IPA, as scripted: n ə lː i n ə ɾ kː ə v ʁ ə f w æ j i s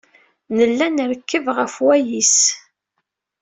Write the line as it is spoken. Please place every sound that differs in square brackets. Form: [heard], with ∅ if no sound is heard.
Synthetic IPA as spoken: n ə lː [æ] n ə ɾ kː ə v ʁ ə f w æ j i s